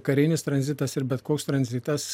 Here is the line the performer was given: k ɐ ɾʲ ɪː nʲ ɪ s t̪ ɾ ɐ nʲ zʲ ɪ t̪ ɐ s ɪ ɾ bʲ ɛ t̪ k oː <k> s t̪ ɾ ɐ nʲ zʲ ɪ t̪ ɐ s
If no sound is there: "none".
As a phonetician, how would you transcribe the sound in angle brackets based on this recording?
k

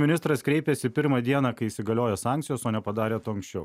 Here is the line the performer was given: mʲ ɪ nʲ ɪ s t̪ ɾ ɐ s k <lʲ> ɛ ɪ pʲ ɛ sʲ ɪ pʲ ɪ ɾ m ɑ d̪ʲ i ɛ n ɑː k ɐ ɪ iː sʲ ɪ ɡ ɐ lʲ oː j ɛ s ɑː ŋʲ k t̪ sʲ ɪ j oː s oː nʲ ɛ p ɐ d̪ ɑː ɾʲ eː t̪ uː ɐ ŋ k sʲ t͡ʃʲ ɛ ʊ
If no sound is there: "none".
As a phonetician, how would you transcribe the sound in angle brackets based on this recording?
ɾʲ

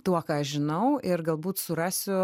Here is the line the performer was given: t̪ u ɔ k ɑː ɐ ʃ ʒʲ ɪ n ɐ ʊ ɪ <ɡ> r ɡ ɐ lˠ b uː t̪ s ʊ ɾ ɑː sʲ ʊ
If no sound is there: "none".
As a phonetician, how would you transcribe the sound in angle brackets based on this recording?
none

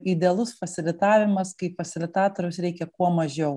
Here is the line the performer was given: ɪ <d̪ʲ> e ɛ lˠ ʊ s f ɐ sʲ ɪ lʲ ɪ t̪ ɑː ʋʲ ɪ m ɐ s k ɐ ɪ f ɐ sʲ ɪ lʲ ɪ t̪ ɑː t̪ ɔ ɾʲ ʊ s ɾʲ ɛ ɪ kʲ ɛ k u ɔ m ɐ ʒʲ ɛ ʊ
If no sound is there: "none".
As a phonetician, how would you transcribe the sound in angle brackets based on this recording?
d̪ʲ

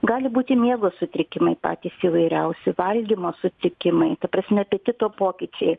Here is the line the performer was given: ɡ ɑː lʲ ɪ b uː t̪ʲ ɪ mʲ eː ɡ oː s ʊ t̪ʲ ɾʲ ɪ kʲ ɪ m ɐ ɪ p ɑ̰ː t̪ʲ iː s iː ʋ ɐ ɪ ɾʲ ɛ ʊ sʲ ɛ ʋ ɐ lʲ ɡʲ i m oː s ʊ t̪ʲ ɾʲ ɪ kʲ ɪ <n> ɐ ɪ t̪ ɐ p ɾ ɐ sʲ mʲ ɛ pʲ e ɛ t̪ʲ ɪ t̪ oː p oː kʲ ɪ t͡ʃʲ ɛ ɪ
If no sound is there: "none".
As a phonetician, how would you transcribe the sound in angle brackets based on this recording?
m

